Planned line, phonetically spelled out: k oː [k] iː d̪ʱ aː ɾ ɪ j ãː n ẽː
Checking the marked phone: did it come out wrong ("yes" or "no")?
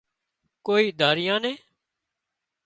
yes